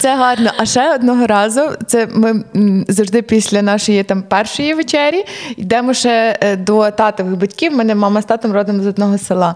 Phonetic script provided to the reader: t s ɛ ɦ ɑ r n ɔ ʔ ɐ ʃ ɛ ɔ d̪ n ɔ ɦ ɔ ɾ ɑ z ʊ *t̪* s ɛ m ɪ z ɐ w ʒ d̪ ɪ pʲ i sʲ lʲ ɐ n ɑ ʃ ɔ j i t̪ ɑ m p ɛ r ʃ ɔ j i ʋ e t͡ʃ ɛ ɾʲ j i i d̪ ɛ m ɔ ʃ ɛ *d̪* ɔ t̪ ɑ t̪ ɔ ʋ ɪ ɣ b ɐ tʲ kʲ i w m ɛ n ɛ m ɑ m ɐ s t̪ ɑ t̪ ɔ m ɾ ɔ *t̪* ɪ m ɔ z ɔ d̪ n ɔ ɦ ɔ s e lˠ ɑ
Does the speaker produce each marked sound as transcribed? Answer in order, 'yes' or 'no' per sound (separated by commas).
yes, yes, no